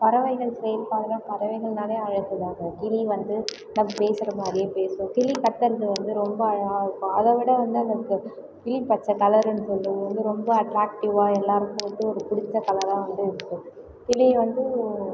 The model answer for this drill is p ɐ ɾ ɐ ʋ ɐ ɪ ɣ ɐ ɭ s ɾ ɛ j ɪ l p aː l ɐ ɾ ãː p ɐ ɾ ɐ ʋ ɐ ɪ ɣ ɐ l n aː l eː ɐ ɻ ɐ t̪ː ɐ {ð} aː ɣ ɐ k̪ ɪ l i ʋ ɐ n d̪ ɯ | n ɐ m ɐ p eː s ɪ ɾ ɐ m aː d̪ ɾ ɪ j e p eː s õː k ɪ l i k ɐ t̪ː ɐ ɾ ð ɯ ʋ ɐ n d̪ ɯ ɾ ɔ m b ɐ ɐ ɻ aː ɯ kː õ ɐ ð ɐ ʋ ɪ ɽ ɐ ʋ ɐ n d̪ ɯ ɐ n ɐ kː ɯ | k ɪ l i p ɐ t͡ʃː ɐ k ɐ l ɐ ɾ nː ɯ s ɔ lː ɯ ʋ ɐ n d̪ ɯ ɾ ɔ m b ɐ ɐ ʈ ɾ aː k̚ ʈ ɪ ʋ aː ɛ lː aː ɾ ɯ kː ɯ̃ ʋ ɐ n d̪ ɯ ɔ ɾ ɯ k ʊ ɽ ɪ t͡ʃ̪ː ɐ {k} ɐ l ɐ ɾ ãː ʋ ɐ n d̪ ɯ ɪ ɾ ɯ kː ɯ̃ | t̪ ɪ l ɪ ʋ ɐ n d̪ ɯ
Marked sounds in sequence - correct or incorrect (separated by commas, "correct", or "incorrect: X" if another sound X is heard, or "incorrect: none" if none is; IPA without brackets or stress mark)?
correct, correct